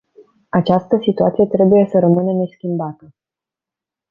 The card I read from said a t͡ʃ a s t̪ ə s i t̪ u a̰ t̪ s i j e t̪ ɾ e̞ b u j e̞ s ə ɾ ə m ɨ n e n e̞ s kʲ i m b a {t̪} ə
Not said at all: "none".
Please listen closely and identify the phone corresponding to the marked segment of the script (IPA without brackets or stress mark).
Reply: t̪